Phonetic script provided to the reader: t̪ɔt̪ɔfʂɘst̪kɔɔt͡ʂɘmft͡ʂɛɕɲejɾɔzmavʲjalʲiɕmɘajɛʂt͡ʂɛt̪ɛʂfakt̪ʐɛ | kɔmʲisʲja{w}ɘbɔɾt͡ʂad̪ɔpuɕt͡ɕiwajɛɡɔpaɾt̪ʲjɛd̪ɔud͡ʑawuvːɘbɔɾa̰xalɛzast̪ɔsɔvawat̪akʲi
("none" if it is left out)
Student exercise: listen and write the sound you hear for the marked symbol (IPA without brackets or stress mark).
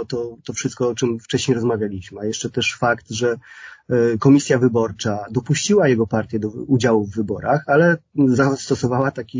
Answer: v